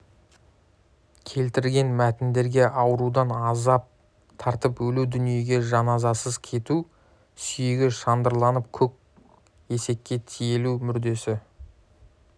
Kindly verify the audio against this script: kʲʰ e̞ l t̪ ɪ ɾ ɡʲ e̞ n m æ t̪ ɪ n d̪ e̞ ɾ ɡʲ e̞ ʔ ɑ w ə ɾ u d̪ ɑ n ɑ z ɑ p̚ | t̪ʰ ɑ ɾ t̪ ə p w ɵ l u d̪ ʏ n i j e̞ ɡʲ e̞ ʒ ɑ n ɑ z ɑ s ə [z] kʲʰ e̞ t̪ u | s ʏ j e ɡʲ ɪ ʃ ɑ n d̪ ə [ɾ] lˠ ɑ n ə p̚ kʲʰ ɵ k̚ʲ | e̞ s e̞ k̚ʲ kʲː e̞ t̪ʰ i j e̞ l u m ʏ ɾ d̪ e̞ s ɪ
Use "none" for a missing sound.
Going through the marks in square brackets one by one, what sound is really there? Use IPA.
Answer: z, ɾ

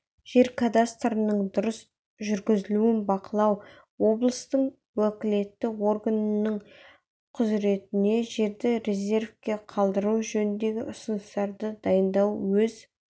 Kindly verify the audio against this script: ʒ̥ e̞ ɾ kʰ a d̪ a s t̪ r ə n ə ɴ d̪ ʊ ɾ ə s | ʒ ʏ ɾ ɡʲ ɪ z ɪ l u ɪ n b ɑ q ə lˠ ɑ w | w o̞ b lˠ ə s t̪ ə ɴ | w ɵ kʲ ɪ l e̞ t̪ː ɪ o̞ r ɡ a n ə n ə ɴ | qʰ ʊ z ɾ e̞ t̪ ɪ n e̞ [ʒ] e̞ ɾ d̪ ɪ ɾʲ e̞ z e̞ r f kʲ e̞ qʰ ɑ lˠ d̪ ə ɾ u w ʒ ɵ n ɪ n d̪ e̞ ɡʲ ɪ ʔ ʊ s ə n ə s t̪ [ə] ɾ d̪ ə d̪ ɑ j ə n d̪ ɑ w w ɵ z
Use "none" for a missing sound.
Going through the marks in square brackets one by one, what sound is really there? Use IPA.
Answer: ʒ, ɑ

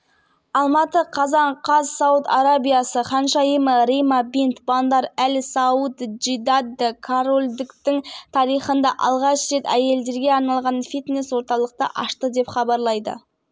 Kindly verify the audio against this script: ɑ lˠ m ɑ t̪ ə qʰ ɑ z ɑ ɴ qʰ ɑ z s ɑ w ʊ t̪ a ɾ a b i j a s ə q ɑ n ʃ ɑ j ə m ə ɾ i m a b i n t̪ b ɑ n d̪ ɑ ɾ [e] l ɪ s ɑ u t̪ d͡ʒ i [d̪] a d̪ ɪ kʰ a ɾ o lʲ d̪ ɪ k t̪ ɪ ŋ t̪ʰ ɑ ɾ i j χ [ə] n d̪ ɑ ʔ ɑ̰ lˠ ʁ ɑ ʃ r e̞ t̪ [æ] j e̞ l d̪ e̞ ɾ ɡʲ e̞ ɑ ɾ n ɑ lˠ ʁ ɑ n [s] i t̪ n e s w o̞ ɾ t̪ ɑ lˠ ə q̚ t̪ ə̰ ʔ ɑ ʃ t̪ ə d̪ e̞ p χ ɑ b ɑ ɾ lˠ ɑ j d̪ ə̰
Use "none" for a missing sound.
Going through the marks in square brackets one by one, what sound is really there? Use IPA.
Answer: æ, d̪, ə, æ, f

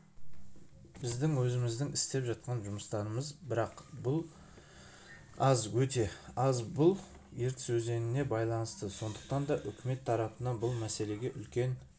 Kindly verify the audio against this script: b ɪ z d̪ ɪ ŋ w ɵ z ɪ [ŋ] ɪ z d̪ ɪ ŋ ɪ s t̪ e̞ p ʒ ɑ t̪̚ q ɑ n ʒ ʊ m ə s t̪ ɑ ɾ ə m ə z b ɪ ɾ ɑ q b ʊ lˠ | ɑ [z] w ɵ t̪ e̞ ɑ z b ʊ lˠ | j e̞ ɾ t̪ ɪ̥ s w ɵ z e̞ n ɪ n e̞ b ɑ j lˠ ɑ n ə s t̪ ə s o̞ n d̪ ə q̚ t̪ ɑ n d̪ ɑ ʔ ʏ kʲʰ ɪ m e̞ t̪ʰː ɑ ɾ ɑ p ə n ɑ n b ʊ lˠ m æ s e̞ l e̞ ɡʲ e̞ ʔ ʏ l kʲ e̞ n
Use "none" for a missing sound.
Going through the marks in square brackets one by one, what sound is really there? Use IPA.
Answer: m, z

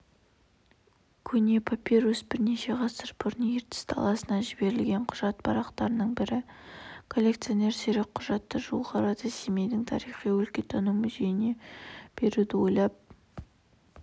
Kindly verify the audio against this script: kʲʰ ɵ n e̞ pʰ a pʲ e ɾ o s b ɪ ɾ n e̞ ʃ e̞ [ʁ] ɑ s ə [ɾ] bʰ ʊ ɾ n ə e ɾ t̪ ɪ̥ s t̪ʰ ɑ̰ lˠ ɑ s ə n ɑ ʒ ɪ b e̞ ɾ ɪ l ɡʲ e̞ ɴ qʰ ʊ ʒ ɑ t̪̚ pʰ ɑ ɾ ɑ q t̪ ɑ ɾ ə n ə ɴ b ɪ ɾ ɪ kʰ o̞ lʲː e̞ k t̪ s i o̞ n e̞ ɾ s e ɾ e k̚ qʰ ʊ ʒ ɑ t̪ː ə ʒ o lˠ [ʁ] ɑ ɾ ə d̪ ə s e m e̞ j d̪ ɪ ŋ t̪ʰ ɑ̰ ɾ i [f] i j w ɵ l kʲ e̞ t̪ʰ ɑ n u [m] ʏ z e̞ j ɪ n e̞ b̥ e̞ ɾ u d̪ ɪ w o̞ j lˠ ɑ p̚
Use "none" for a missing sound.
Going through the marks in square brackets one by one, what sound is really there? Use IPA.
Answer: ʁ, ɾ, ʁ, χ, m

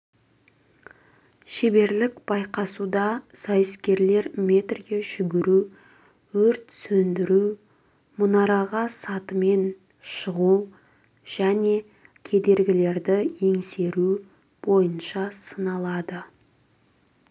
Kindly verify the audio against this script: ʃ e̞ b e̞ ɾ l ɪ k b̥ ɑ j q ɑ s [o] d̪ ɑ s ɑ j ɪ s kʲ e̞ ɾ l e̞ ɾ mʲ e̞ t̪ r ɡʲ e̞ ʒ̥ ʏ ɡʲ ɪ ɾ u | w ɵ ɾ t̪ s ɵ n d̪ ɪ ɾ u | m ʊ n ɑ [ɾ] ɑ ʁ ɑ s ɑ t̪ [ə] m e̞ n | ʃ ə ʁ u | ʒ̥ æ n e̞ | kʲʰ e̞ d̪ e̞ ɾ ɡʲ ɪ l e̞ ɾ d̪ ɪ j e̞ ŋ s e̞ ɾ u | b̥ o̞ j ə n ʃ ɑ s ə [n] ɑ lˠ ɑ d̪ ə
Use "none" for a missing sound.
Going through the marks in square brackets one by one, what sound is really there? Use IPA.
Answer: u, ɾ, ə, n

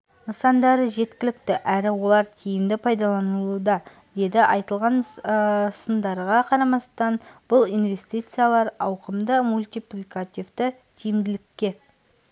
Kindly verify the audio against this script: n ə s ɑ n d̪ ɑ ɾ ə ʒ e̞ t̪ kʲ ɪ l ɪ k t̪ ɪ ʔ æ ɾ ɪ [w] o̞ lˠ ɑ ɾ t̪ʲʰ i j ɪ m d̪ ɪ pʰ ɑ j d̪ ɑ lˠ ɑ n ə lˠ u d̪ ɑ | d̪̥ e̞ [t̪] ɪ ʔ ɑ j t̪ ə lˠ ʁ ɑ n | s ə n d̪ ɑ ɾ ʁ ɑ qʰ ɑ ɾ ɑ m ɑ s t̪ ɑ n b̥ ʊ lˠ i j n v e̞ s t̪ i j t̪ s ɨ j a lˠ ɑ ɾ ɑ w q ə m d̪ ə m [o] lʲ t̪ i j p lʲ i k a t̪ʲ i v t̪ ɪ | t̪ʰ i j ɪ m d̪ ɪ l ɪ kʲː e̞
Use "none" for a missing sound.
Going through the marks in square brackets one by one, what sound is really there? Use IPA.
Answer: w, d̪, u

